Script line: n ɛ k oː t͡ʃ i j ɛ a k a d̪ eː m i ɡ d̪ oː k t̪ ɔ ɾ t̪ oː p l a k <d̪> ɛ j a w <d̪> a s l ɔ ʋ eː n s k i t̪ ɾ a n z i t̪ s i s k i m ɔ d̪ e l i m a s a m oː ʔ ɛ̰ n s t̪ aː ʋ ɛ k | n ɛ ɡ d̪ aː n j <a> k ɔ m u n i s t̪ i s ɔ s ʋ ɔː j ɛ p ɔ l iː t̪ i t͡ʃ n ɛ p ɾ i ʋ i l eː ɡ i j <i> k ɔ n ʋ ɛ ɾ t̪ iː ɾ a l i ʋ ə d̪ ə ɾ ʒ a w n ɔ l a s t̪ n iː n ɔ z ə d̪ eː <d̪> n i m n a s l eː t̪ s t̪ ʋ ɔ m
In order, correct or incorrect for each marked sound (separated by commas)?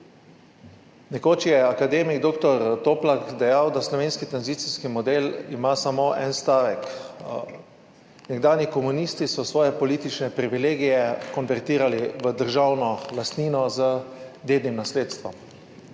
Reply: correct, correct, incorrect, incorrect, correct